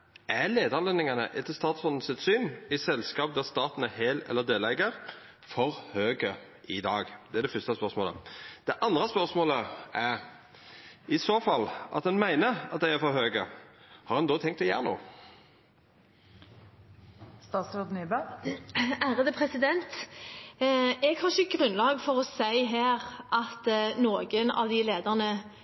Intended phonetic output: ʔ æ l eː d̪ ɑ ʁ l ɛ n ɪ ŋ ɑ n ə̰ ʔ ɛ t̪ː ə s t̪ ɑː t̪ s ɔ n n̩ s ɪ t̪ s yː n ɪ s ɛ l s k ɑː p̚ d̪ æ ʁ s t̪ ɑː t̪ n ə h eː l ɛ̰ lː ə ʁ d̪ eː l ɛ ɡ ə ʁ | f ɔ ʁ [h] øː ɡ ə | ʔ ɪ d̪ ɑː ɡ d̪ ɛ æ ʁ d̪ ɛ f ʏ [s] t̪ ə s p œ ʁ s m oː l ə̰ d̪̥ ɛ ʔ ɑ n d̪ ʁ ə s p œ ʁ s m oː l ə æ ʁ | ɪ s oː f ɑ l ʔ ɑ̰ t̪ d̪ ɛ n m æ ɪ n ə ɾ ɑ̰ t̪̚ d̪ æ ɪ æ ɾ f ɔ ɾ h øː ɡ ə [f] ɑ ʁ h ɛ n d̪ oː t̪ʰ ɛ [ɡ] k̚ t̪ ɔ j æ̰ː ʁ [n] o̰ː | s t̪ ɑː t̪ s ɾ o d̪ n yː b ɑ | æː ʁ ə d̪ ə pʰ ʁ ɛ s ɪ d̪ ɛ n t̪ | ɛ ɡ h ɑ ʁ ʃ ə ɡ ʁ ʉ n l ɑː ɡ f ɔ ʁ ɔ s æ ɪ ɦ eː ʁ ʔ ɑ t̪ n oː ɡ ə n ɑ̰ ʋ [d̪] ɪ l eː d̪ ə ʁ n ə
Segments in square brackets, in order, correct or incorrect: correct, correct, incorrect: h, incorrect: ŋ, correct, correct

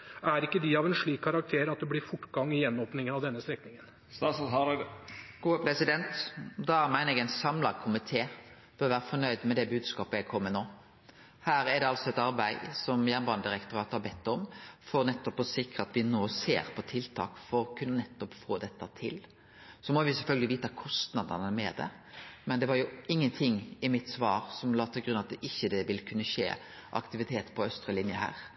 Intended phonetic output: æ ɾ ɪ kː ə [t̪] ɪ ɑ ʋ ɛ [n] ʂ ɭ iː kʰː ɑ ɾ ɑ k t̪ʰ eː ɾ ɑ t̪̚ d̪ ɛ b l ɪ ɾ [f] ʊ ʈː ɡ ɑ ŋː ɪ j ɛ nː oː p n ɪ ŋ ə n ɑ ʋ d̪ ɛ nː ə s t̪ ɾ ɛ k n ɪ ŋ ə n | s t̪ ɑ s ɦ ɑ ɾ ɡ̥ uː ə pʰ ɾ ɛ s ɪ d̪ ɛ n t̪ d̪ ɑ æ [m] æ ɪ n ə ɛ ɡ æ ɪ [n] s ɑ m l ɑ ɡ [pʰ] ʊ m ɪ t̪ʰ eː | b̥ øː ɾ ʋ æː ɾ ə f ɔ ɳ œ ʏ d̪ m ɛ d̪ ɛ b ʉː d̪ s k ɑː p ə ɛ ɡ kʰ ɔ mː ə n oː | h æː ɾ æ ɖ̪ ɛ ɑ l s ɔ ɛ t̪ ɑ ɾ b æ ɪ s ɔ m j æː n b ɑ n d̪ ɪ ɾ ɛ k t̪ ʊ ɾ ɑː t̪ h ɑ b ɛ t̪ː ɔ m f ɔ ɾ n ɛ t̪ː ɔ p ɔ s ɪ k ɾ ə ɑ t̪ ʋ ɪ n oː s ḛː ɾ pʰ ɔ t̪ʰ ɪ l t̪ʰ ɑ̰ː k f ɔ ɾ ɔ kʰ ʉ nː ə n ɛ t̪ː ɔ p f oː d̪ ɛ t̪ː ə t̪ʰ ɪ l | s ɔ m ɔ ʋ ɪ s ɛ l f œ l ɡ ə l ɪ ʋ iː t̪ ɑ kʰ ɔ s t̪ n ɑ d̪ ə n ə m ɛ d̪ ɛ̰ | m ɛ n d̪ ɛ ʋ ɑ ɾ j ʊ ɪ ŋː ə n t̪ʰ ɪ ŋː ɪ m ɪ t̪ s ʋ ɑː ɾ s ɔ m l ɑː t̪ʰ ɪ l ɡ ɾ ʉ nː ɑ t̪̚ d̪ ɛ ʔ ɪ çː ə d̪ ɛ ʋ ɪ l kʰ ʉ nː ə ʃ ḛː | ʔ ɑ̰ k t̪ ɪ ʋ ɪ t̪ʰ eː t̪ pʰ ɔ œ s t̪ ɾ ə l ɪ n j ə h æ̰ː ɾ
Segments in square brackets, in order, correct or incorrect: incorrect: d̪, correct, correct, correct, correct, incorrect: kʰ

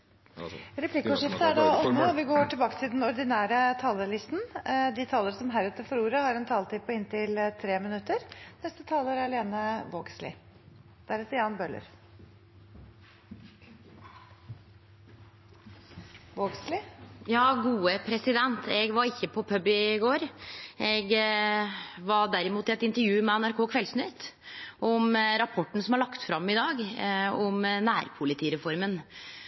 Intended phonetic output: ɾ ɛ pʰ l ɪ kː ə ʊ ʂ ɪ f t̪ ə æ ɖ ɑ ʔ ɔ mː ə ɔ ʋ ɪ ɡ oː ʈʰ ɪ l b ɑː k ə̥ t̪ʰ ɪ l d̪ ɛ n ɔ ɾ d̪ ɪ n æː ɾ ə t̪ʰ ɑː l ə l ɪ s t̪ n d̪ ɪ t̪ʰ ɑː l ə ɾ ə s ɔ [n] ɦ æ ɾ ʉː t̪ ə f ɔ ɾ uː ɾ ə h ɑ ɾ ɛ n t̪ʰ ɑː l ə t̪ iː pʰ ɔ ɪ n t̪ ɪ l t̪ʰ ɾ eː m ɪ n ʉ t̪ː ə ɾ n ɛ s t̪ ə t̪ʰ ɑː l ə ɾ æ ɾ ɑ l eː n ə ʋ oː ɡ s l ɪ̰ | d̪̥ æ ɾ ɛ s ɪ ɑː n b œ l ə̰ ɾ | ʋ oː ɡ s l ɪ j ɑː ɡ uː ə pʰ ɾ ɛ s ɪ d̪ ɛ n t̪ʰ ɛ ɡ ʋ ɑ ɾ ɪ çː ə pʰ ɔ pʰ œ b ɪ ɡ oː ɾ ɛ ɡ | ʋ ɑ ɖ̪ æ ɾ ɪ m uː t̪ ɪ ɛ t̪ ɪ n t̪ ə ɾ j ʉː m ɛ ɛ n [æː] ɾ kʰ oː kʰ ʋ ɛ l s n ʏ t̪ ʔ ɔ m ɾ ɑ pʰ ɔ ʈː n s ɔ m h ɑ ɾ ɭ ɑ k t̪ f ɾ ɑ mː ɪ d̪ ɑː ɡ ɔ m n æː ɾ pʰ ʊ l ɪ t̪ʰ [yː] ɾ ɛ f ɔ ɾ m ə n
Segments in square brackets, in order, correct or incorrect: incorrect: m, incorrect: æ, incorrect: iː

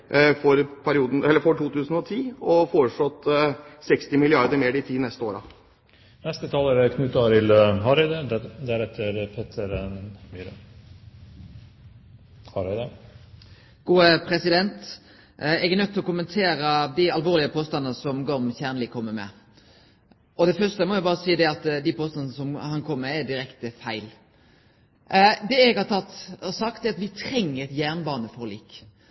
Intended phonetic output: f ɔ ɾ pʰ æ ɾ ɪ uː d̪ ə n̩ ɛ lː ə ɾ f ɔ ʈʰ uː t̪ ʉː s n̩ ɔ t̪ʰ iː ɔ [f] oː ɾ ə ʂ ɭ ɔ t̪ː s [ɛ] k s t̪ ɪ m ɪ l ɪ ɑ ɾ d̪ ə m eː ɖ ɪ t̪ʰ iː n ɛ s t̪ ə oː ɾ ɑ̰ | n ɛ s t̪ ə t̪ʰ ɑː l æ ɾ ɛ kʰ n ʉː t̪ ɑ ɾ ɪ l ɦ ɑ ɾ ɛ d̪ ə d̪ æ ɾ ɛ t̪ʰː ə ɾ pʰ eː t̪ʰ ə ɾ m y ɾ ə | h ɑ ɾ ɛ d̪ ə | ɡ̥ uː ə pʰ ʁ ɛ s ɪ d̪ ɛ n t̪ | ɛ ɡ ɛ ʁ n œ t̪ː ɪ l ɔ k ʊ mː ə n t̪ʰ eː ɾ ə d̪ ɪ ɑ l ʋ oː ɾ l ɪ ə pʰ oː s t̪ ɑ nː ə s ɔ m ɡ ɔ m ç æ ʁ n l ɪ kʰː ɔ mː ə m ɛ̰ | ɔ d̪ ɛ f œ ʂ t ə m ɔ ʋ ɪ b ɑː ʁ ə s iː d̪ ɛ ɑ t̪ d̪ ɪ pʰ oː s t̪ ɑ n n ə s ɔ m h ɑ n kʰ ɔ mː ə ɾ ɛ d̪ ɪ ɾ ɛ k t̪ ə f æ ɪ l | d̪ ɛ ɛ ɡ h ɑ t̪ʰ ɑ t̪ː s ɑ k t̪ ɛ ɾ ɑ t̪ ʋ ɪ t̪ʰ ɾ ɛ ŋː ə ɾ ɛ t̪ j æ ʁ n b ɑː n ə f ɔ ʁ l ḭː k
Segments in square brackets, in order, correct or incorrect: correct, correct

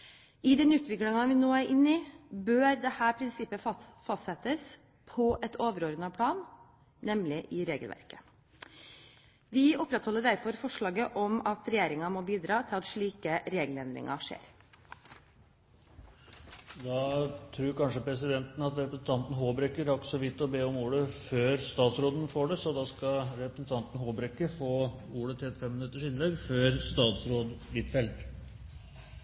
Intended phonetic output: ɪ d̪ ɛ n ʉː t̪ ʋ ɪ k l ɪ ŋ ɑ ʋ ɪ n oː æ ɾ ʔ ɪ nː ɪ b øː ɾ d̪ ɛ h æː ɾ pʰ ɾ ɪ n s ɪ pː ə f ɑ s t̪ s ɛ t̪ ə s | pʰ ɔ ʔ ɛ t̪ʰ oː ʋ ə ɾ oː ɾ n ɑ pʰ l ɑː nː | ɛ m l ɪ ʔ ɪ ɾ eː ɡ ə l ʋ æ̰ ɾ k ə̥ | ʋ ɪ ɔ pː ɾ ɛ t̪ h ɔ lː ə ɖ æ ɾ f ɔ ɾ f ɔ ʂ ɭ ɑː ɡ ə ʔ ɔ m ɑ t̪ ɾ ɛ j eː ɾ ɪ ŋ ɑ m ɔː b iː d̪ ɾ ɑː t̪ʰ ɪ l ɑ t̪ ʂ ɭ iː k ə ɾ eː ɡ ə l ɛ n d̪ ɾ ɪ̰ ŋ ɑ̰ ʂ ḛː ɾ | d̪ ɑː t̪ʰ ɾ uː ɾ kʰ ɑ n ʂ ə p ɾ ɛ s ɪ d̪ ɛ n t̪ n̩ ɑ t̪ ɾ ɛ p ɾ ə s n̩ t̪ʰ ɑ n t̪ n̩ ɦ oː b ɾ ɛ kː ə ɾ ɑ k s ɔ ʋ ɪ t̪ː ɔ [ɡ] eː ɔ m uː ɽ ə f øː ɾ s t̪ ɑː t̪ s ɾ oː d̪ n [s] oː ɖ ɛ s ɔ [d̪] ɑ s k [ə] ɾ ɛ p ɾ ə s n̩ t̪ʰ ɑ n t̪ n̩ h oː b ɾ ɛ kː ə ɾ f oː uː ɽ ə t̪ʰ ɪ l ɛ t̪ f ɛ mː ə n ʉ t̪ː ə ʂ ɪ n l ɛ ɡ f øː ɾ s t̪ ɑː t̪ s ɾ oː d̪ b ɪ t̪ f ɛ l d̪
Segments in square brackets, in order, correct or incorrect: incorrect: b, incorrect: f, correct, incorrect: ɑ

